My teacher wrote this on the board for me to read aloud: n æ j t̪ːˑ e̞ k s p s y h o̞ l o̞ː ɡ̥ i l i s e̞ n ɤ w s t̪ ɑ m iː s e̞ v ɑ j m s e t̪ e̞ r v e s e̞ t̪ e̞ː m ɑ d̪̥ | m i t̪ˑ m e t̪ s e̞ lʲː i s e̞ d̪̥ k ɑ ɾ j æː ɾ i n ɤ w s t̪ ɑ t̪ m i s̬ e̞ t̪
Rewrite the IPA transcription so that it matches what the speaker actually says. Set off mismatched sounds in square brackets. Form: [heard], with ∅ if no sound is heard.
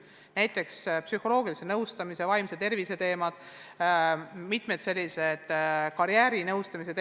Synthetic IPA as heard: n æ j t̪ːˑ e̞ k s p s y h o̞ l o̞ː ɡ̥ i l i s e̞ n ɤ w s t̪ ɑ m [i] s e̞ v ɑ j m s e t̪ e̞ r v [i] s e̞ t̪ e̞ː m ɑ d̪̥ | m i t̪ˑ m e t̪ s e̞ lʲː i s e̞ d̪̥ k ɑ ɾ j æː ɾ i n ɤ w s t̪ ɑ [∅] m i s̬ e̞ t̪